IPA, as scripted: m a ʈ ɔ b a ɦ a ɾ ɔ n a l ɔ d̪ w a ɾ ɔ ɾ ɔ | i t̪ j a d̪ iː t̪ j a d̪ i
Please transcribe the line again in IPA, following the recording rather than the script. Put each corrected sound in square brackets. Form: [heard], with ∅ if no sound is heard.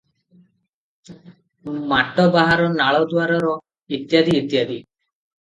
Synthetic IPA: m a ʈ ɔ b a ɦ a ɾ ɔ n a [ɭ] ɔ d̪ w a ɾ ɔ ɾ ɔ | i t̪ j a d̪ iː t̪ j a d̪ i